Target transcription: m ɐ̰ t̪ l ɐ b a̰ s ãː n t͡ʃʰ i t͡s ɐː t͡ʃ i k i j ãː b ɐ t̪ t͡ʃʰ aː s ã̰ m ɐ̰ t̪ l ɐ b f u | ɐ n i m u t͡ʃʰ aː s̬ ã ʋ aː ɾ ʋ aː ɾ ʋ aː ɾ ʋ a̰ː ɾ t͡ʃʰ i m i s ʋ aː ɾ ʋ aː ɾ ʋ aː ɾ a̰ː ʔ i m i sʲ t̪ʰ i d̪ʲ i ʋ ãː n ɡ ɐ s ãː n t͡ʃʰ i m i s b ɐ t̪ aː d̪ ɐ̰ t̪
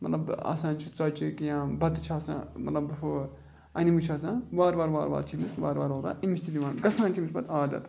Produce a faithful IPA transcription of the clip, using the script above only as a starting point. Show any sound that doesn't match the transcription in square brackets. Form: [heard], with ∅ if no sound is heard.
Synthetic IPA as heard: m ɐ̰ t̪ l ɐ b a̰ s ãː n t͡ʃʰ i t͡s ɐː t͡ʃ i k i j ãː b ɐ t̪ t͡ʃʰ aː s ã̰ m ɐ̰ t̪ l ɐ b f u | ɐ n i m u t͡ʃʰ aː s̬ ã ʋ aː ɾ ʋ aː ɾ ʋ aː ɾ ʋ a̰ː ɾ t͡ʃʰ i m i s ʋ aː ɾ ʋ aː ɾ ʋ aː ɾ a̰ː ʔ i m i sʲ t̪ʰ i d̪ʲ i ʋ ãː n ɡ ɐ s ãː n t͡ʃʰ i m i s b ɐ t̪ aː d̪ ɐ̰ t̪